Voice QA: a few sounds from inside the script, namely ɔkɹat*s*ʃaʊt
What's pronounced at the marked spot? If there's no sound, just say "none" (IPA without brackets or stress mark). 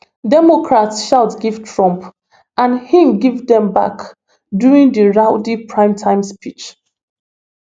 s